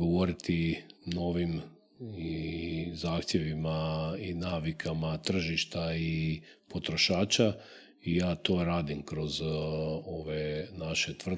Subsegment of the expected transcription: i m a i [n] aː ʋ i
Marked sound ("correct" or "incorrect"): correct